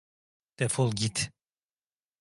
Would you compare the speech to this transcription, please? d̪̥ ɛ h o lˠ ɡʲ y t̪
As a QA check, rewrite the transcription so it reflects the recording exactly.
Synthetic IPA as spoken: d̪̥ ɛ f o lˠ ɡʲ i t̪